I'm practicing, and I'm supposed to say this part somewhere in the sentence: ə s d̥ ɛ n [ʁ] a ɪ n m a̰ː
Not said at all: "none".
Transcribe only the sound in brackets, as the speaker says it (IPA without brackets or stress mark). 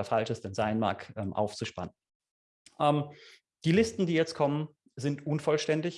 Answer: z